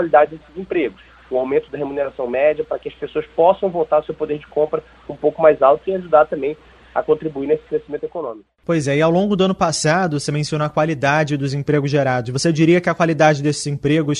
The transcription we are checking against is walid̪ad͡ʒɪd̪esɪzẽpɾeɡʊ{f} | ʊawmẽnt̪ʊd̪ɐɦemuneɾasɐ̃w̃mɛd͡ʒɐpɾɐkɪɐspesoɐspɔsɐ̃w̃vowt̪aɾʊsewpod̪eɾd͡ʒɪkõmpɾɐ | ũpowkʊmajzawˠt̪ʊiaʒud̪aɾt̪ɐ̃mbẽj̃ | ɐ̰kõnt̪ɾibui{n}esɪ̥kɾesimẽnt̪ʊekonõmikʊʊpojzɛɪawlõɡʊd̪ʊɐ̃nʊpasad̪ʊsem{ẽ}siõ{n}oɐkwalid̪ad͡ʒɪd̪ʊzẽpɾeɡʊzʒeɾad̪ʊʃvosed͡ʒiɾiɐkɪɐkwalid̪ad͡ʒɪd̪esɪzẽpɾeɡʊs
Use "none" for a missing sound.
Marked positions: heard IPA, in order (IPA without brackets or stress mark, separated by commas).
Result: s, n, ẽ, n